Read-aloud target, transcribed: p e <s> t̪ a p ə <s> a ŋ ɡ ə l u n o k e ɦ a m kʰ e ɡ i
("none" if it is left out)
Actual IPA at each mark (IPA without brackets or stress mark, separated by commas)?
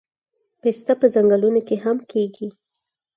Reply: s, z